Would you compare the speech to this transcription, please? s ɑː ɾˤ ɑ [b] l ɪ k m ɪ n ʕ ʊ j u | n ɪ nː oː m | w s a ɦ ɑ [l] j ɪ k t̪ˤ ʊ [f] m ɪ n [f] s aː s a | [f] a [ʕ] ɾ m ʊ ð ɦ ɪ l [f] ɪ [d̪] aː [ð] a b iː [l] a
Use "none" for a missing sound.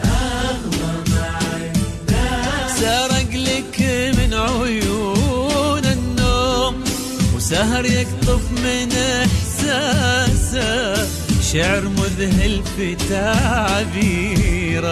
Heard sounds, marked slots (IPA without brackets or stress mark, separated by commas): ɡ, ɾ, f, ħ, ʃ, ʕ, f, t̪, ʕ, ɾ